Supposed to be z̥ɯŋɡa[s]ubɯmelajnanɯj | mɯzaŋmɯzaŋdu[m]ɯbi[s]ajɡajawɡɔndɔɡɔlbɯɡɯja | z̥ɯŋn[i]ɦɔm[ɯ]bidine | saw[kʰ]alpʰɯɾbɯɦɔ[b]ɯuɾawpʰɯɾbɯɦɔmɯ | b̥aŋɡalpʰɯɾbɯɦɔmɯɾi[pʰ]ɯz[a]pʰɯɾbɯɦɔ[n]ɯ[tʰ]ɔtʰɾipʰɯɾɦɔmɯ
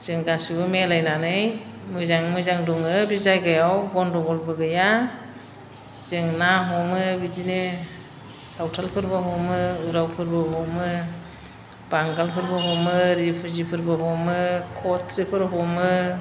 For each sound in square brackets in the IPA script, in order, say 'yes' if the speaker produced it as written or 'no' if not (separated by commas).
yes, no, no, no, yes, no, no, yes, no, no, no